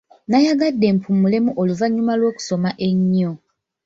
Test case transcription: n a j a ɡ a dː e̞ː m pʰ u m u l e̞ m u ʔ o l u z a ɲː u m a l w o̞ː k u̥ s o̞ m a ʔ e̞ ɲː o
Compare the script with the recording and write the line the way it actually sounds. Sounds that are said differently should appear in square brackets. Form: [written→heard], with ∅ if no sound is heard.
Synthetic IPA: n a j a ɡ a dː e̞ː m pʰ u m u l e̞ m u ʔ o l u [z→v] a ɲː u m a l w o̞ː k u̥ s o̞ m a ʔ e̞ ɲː o